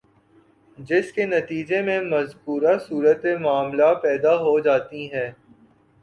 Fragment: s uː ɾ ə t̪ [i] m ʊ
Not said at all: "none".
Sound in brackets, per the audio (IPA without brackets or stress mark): e